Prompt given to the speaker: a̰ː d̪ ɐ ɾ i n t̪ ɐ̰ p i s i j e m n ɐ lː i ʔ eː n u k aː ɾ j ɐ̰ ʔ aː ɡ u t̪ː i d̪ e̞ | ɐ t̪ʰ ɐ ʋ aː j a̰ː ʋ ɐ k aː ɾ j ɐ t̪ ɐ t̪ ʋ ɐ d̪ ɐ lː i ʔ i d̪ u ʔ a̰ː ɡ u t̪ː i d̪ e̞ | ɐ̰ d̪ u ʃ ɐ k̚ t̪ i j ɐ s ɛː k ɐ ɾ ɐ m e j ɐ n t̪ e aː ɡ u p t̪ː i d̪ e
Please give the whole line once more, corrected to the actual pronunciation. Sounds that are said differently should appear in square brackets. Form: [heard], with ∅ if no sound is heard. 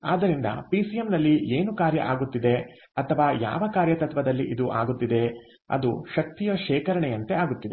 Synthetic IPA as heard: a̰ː d̪ ɐ ɾ i n [d̪] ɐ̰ p i s i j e m n ɐ lː i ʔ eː n u k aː ɾ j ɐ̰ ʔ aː ɡ u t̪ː i d̪ e̞ | ɐ t̪ʰ ɐ ʋ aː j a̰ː ʋ ɐ k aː ɾ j ɐ t̪ ɐ t̪ ʋ ɐ d̪ ɐ lː i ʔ i d̪ u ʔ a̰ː ɡ u t̪ː i d̪ e̞ | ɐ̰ d̪ u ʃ ɐ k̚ t̪ i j ɐ [ʃ] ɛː k ɐ ɾ ɐ [ɳ] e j ɐ n t̪ e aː ɡ u [∅] t̪ː i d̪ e